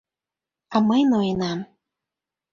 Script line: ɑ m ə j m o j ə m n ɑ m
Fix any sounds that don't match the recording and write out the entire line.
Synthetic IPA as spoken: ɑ m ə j n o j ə n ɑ m

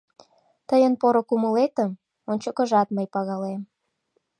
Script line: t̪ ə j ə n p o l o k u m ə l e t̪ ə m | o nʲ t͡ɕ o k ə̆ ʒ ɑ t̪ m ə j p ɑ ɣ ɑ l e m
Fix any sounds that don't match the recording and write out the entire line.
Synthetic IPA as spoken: t̪ ə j ə n p o ɾ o k u m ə l e t̪ ə m | o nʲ t͡ɕ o k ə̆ ʒ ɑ t̪ m ə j p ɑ ɣ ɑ l e m

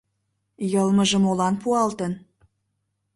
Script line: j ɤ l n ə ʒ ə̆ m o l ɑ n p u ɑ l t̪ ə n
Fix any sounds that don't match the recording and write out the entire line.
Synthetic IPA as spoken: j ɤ l m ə ʒ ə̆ m o l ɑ n p u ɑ l t̪ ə n

